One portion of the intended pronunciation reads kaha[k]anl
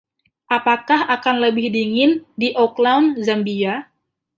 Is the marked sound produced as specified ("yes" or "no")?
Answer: yes